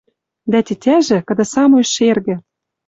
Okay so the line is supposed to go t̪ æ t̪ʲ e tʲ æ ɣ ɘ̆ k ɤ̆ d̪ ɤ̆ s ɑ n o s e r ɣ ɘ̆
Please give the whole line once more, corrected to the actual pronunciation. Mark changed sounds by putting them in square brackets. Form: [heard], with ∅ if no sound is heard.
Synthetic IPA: [d̪] æ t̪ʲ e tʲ æ [ʒ] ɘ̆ k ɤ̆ d̪ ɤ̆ s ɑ [m] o [ʃ] e r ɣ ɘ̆

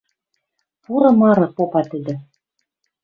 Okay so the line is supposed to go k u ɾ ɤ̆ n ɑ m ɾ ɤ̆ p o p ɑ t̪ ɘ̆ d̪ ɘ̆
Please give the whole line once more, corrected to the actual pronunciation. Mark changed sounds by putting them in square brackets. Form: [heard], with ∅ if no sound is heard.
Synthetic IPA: [p] u ɾ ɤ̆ [m] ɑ [∅] ɾ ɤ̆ p o p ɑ t̪ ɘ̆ d̪ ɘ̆

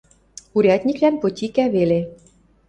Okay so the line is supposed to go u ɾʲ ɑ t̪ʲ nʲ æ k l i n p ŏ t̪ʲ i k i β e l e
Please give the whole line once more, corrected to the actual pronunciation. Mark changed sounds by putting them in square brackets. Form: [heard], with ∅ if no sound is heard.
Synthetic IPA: u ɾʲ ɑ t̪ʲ nʲ [i] k l [æ] n p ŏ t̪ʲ i k [æ] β e l e

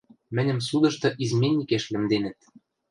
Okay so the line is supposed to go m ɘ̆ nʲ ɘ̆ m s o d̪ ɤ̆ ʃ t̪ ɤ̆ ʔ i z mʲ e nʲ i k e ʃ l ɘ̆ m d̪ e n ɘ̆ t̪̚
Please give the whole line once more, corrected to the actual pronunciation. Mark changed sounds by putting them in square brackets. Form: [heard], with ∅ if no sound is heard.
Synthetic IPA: m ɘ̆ nʲ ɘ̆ m s [u] d̪ ɤ̆ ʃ t̪ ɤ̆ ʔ i z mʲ e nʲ i k e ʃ l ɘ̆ m d̪ e n ɘ̆ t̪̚

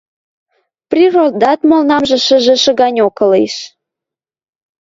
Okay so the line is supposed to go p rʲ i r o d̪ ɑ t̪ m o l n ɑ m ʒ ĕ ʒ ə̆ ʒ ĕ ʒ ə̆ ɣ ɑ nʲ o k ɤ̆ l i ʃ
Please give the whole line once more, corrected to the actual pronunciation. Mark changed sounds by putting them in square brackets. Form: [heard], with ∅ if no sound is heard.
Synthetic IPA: p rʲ i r o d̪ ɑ t̪ m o l n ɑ m ʒ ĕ [ʃ] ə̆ ʒ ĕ [ʃ] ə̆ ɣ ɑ nʲ o k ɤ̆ l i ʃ

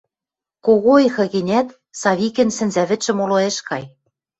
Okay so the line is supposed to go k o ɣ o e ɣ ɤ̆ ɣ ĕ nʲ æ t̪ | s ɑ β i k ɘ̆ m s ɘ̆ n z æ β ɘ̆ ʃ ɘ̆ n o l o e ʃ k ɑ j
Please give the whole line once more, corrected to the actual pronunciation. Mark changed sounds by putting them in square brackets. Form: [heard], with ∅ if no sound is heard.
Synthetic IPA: k o ɣ o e [x] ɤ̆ ɣ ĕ nʲ æ t̪ | s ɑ β i k ɘ̆ [n] s ɘ̆ n z æ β ɘ̆ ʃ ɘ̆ [m] o l o e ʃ k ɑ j

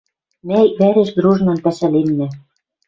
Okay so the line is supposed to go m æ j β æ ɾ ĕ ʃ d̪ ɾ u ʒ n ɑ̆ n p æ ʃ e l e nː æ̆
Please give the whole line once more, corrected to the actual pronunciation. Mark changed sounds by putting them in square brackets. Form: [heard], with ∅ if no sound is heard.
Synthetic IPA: m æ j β æ ɾ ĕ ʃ d̪ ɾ u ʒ n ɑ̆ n p æ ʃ [æ] l e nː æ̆

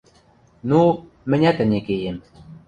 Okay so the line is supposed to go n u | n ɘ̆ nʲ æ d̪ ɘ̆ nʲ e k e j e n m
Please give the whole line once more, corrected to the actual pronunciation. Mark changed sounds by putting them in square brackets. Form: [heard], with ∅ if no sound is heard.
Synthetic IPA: n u | [m] ɘ̆ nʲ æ [t̪] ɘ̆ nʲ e k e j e [∅] m

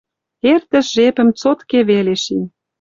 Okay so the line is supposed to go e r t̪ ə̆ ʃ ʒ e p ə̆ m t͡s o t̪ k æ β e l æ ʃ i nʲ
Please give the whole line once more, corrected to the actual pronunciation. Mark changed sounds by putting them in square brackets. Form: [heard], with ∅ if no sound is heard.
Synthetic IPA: e r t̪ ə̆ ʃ ʒ e p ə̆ m t͡s o t̪ k [e] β e l [e] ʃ i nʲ

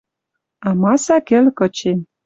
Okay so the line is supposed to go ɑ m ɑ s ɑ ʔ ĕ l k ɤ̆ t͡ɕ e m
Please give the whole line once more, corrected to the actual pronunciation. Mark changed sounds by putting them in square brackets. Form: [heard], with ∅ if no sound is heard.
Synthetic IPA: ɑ m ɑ s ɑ [k] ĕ l k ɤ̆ t͡ɕ e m

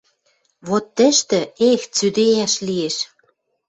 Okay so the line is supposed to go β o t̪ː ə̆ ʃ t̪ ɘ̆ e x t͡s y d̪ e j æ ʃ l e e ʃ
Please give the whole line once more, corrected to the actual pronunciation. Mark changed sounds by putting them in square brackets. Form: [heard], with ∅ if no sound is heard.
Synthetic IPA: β o t̪ː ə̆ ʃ t̪ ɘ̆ e x t͡s y d̪ e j æ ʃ l [i] e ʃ

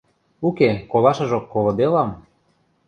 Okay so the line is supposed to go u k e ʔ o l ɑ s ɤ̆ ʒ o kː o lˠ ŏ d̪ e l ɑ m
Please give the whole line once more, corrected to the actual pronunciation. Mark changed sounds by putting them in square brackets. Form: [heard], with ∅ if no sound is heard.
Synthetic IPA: u k e [k] o l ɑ [ʃ] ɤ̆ ʒ o kː o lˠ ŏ d̪ e l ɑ m

